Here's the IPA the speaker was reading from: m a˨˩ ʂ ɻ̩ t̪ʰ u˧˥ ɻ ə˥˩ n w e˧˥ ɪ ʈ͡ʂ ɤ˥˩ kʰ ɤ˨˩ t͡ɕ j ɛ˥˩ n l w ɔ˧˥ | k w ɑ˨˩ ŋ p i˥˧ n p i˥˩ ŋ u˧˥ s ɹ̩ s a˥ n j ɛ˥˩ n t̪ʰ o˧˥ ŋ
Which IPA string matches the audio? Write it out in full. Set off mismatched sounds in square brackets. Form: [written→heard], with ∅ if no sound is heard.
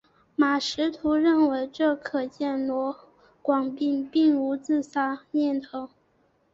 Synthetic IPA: m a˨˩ ʂ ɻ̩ t̪ʰ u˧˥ ɻ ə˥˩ n w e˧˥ ɪ ʈ͡ʂ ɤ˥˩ kʰ ɤ˨˩ t͡ɕ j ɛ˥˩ n l w ɔ˧˥ | k w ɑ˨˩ ŋ p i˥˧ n p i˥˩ ŋ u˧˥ [s→t͡s] ɹ̩ s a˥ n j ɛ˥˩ n t̪ʰ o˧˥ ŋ